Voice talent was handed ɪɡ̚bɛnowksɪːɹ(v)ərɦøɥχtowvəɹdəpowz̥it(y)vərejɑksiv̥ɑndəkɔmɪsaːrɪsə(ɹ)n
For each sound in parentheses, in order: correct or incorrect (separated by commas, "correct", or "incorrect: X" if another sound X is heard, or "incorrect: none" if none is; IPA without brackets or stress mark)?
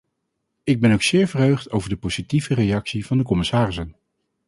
correct, incorrect: i, incorrect: none